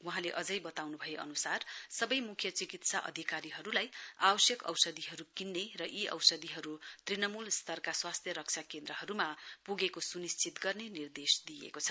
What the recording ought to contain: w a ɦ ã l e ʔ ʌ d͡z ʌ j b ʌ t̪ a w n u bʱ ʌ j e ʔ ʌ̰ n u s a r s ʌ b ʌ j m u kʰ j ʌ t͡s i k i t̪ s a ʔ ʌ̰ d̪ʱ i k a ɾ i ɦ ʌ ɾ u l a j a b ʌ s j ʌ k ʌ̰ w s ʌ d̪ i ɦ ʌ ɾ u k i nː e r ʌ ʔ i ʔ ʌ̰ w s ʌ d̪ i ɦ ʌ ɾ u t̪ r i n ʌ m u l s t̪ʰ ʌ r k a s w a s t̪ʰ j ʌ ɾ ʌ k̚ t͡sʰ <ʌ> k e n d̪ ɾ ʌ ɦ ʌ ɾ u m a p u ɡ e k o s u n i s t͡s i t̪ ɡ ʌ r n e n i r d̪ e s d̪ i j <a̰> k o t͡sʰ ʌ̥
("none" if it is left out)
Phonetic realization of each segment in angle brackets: a, ḛ

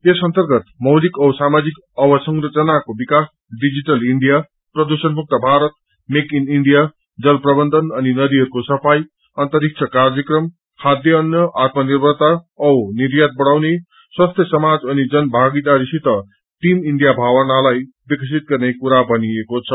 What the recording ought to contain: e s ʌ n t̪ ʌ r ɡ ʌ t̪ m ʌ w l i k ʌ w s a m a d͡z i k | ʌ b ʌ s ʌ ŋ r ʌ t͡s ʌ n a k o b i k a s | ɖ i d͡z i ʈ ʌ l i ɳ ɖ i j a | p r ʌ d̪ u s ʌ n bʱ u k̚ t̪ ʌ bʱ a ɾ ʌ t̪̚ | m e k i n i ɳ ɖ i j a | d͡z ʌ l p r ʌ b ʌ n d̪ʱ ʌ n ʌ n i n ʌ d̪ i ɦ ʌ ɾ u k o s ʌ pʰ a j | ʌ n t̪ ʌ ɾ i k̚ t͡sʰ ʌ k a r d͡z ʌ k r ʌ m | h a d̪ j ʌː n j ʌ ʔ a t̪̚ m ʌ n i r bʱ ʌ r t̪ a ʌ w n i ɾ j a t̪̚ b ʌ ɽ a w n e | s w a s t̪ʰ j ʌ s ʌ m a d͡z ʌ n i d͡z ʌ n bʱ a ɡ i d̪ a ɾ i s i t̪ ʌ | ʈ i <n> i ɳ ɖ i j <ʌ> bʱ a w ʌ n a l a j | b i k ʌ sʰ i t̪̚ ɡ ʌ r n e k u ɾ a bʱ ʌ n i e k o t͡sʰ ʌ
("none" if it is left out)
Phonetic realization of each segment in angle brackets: m, a

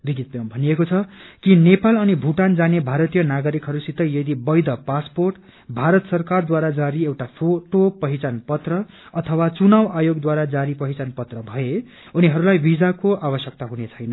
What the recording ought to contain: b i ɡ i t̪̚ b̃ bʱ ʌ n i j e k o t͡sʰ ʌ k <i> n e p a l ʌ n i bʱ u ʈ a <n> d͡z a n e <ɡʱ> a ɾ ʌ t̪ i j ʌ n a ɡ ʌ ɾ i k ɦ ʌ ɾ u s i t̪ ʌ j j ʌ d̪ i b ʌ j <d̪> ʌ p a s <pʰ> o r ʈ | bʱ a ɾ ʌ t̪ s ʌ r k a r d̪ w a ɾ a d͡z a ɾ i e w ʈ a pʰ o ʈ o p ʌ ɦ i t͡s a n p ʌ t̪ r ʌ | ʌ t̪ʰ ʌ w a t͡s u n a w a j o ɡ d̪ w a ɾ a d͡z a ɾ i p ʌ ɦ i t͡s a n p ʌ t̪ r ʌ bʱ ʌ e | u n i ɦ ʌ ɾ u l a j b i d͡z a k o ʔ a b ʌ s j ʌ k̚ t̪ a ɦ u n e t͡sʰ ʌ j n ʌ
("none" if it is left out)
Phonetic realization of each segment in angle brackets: i, n, bʱ, d̪, p

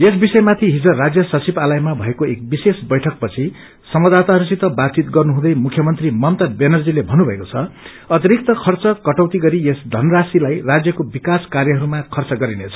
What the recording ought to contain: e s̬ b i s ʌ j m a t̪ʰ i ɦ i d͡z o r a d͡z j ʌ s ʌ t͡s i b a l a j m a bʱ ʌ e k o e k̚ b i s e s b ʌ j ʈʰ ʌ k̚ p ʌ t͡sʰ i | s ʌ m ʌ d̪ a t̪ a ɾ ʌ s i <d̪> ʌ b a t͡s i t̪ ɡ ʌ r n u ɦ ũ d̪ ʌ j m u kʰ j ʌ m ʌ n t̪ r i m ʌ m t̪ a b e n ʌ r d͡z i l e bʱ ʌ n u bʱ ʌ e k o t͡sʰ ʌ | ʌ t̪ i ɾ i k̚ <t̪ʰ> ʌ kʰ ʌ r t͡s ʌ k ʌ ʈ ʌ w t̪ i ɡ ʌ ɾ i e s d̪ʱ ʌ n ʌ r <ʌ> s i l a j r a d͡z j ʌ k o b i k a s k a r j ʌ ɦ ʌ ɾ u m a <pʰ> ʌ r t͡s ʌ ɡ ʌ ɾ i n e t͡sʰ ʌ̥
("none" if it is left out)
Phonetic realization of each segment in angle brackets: t̪, t̪, a, kʰ

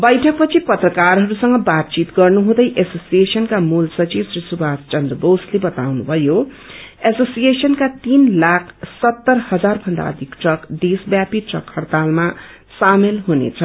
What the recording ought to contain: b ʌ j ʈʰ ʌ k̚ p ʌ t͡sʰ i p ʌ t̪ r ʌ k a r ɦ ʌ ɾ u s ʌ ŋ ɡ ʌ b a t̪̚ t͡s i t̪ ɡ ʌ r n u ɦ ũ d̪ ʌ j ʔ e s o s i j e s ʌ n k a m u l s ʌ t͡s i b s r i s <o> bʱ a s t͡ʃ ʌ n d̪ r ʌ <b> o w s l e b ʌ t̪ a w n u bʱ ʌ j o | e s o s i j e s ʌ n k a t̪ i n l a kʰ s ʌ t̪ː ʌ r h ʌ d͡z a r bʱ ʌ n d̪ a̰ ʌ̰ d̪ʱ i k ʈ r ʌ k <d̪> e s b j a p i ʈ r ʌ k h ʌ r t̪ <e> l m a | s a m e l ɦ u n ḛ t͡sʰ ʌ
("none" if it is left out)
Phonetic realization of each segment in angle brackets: u, b, d̪, a

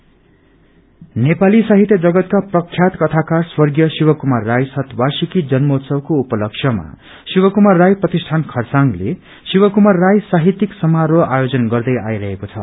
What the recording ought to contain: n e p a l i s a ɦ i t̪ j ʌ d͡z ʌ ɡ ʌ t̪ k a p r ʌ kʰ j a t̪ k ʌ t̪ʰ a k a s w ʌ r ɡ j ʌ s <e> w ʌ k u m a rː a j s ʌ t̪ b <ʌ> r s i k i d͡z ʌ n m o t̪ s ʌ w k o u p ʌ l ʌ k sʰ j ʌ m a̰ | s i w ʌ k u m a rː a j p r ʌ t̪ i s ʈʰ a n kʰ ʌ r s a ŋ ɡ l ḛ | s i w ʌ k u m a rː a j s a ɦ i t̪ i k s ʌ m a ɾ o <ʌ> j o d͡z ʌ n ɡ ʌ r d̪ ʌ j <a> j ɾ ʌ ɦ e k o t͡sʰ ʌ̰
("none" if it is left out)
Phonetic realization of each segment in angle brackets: i, a, a, a

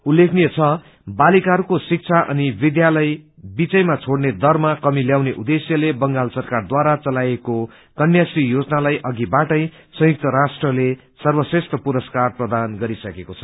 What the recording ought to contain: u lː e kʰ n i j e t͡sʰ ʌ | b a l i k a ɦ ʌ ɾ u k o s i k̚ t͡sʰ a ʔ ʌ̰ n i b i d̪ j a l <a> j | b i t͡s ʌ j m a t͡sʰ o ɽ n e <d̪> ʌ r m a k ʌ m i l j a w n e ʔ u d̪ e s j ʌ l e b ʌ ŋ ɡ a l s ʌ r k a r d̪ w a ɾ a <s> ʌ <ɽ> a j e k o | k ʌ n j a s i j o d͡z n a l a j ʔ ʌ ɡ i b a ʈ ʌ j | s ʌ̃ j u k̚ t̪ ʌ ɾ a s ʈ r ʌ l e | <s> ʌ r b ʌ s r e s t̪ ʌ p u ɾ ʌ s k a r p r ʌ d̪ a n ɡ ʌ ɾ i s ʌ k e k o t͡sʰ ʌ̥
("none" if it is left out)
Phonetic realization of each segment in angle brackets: ʌ, d̪, t͡s, l, s

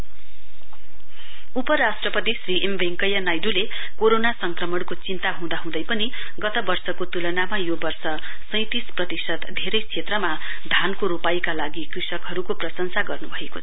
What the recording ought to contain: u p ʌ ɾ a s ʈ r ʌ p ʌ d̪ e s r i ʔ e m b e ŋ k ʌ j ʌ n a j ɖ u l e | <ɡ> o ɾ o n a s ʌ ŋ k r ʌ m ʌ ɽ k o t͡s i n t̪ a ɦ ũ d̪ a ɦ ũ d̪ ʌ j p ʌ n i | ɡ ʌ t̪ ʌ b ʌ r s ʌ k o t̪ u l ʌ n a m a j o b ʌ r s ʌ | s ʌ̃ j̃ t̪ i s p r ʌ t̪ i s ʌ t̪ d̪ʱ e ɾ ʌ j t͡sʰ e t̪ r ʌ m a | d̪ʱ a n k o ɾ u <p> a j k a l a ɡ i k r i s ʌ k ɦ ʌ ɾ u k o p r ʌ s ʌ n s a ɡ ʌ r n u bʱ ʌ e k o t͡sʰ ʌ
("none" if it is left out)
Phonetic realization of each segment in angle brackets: k, p

